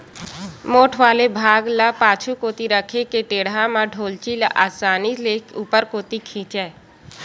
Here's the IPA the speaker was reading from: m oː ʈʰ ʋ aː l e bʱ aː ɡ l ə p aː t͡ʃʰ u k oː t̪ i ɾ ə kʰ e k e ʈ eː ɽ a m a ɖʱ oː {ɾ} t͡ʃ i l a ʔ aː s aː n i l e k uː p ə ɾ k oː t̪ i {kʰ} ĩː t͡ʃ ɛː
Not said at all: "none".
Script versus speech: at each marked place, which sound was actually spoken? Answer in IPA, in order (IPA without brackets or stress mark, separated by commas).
l, kʰ